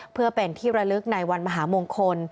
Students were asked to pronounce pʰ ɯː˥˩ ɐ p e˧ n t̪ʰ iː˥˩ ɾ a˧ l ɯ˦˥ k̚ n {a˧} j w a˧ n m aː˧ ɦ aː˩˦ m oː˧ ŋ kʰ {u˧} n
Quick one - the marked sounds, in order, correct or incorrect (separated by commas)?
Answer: correct, incorrect